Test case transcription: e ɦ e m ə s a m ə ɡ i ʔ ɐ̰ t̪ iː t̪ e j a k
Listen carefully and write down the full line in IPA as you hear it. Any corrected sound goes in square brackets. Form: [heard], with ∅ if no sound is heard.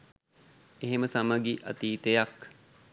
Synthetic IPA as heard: e ɦ e m ə s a m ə ɡ i ʔ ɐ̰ t̪ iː t̪ e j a k